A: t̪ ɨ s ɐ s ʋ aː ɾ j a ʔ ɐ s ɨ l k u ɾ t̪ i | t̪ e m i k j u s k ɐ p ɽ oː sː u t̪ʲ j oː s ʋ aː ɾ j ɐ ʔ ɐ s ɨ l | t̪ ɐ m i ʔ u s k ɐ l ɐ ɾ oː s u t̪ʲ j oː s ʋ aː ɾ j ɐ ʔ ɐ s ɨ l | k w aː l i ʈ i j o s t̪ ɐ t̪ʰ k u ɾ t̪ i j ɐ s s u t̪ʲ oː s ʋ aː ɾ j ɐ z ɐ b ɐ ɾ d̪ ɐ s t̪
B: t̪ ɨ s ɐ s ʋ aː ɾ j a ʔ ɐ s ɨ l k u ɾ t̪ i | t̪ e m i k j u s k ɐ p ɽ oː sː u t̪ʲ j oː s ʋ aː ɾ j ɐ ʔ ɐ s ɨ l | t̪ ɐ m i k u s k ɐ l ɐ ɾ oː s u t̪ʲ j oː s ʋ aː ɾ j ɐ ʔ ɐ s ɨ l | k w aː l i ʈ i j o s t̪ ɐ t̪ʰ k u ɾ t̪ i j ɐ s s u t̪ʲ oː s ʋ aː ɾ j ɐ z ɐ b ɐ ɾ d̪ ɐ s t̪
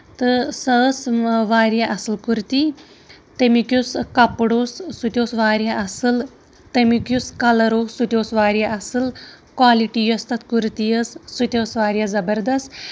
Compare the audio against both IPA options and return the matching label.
B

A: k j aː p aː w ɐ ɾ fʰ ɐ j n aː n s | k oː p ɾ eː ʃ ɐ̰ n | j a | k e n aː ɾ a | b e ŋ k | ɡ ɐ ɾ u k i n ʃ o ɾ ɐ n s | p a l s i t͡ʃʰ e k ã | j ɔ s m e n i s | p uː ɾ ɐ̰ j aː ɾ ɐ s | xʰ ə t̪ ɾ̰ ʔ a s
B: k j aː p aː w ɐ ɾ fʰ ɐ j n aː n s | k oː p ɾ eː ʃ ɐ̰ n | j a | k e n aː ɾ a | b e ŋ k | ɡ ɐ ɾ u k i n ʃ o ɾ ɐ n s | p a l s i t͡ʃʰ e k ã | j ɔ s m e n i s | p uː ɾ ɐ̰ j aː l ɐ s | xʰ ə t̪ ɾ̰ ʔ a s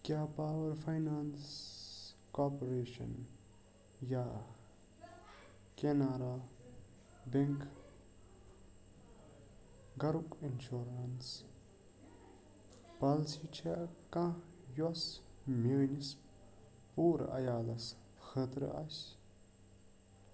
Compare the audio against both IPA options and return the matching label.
B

